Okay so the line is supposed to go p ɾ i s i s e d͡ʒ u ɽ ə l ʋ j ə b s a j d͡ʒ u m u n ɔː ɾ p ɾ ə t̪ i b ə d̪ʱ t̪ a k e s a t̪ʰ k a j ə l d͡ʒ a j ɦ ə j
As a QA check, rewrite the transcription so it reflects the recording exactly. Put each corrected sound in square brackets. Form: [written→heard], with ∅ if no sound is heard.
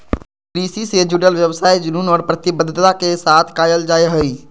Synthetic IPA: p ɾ i s i s e d͡ʒ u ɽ ə l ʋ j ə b s a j d͡ʒ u [m→n] u n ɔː ɾ p ɾ ə t̪ i b ə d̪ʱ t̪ a k e s a t̪ʰ k a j ə l d͡ʒ a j ɦ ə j